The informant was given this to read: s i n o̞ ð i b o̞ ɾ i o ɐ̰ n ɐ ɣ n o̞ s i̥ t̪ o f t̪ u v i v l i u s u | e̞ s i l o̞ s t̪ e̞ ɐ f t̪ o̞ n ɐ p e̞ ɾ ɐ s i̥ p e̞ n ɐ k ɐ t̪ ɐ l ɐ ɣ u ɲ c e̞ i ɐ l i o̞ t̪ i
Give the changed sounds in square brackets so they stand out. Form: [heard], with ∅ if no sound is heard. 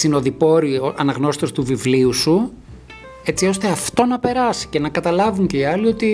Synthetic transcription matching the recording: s i n o̞ ð i [p] o̞ ɾ i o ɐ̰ n ɐ ɣ n o̞ s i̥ t̪ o [s] t̪ u v i v l i u s u | e̞ [t͡s] i [∅] o̞ s t̪ e̞ ɐ f t̪ o̞ n ɐ p e̞ ɾ ɐ s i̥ [c] e̞ n ɐ k ɐ t̪ ɐ l ɐ [v] u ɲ c e̞ i ɐ l i o̞ t̪ i